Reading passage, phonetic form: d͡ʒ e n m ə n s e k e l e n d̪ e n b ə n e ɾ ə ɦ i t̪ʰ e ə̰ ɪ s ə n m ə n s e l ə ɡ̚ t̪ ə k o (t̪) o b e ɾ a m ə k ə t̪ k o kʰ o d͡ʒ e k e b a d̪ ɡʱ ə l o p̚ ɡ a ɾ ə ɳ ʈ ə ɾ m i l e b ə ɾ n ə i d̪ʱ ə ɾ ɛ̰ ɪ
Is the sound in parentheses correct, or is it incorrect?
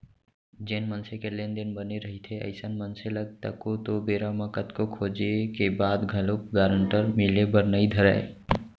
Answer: correct